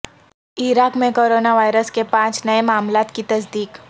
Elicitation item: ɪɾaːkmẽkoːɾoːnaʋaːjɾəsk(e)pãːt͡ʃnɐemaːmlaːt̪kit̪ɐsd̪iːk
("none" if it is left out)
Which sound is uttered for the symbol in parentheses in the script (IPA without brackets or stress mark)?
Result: e